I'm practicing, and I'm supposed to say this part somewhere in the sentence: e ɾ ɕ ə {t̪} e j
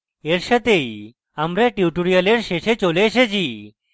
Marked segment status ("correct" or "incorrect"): correct